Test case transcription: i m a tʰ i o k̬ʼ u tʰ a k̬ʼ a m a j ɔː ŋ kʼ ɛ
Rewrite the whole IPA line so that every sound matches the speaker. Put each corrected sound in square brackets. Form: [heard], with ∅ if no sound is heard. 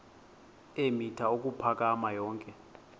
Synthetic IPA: [e] m [i] tʰ [a] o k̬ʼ u [pʰ] a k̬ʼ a m a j ɔː ŋ kʼ ɛ

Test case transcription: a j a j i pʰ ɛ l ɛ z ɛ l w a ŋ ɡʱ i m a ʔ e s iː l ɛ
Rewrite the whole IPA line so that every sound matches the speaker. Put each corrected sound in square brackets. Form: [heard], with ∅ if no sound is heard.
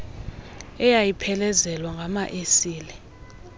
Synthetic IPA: [ɛ] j a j i pʰ ɛ l ɛ z ɛ l w a ŋ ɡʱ [a] m a ʔ e s iː l ɛ

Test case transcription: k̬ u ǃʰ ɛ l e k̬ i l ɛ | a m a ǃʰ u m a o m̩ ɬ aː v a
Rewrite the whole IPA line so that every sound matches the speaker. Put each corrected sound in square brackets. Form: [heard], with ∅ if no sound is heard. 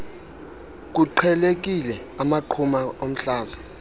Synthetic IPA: k̬ u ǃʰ ɛ l e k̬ i l ɛ | a m a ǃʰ u m a o m̩ ɬ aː [z] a

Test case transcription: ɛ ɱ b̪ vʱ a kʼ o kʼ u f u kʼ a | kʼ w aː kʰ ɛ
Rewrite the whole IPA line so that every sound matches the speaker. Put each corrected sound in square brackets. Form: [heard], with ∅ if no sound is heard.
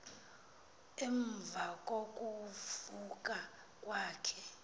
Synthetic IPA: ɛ ɱ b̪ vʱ a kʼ o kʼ u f u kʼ a | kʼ w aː kʰ ɛ

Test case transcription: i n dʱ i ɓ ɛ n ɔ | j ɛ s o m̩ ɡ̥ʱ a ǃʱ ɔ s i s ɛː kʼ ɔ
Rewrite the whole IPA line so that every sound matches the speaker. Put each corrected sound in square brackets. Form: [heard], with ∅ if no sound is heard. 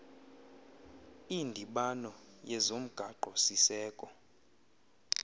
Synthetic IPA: i n dʱ i ɓ [a] n ɔ | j ɛ [z] o m̩ ɡ̥ʱ a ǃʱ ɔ s i s ɛː kʼ ɔ

